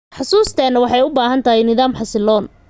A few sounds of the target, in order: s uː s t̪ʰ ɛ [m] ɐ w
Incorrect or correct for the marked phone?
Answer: incorrect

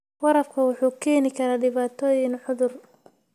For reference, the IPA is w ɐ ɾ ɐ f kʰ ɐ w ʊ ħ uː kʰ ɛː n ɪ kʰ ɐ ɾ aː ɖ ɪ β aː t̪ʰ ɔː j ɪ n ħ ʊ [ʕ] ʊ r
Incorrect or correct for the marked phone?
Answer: incorrect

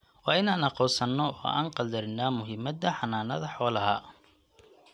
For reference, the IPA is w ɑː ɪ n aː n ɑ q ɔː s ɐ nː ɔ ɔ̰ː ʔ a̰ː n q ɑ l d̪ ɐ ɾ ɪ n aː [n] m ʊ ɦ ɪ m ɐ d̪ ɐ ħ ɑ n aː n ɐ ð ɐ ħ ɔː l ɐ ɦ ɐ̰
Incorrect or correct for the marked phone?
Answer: incorrect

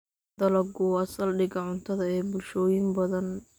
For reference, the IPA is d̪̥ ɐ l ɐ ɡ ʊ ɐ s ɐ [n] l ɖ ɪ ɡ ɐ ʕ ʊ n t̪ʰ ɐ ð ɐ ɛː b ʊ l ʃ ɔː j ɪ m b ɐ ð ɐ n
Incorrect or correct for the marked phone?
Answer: incorrect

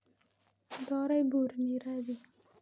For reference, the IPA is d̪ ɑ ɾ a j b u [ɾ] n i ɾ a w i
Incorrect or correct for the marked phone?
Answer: correct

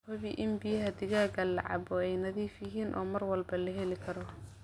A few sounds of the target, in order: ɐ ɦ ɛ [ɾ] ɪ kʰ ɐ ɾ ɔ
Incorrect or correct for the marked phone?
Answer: incorrect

